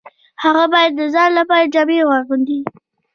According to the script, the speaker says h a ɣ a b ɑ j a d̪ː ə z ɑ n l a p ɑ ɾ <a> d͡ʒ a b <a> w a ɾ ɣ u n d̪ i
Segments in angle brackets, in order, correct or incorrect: correct, incorrect: e

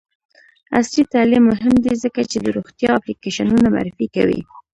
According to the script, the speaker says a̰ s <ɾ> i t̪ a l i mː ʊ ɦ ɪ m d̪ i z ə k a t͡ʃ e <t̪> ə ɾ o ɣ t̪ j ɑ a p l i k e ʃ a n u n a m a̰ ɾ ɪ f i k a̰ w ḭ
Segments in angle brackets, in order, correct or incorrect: incorrect: l, incorrect: d̪

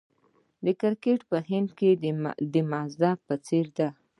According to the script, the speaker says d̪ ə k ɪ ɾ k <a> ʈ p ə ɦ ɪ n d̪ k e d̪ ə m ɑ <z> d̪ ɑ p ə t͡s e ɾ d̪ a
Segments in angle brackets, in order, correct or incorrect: incorrect: e, correct

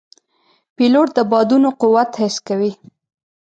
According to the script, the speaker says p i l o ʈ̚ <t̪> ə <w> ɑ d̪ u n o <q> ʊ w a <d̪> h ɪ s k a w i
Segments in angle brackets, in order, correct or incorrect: incorrect: d̪, incorrect: b, correct, incorrect: t̪

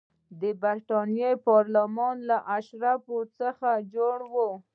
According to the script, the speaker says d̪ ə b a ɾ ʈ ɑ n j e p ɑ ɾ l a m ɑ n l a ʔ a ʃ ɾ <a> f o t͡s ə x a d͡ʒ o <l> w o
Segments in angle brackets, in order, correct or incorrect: correct, incorrect: ɽ

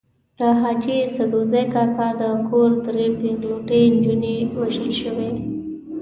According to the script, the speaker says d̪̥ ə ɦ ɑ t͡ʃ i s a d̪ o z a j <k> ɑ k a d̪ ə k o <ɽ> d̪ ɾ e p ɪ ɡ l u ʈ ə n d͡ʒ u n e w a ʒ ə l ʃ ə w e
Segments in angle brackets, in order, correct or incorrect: correct, incorrect: ɾ

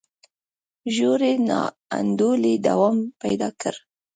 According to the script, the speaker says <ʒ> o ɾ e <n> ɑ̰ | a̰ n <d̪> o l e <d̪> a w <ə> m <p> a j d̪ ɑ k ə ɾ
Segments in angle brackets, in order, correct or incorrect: correct, correct, correct, correct, incorrect: ɑ, correct

